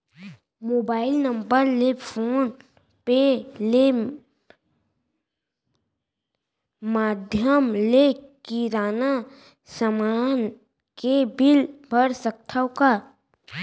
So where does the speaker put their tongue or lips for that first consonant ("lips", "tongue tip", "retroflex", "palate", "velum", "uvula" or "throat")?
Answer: lips